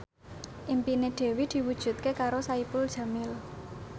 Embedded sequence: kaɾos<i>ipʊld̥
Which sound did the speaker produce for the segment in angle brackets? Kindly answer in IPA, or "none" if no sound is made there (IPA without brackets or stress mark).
a